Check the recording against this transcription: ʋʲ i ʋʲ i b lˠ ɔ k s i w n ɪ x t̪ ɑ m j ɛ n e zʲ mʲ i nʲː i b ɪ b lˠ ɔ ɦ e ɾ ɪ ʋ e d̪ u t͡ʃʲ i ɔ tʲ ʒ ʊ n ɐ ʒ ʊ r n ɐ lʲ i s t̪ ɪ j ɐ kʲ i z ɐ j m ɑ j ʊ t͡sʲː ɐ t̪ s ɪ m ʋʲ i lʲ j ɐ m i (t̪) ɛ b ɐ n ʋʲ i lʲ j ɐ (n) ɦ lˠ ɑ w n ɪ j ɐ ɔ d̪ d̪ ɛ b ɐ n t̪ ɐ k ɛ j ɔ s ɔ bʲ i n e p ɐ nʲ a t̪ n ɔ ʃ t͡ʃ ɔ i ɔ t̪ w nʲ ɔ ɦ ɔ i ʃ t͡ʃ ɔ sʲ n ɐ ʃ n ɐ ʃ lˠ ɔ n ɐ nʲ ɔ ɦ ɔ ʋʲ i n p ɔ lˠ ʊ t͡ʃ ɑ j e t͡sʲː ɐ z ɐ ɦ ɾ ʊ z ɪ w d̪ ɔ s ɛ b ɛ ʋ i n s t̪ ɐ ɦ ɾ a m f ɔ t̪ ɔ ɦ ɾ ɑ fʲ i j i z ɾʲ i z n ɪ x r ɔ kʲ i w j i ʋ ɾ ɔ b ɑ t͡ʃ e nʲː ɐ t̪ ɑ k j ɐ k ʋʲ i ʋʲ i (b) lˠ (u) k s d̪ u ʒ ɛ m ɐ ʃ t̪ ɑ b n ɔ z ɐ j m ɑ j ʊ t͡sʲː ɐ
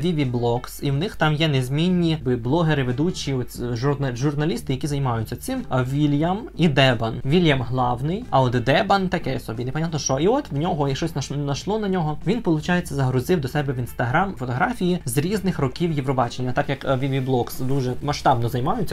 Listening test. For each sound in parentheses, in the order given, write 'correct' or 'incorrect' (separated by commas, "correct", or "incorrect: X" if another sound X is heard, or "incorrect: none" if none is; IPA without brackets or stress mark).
incorrect: d̪, incorrect: m, correct, incorrect: ɔ